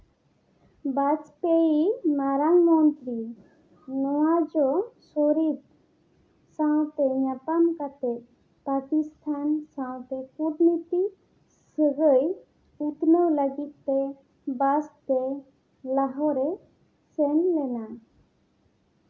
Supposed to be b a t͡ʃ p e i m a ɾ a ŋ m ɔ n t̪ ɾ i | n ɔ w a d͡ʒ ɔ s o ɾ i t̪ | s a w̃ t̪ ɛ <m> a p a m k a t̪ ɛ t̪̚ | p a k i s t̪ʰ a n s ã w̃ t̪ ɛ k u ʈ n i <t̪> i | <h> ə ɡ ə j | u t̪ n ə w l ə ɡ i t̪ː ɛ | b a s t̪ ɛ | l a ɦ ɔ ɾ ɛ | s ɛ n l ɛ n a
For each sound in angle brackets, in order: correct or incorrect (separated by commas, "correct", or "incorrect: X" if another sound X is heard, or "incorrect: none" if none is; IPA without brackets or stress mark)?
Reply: incorrect: ɲ, correct, incorrect: s